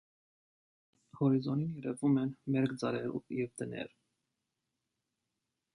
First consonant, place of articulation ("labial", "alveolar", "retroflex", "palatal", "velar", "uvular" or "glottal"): glottal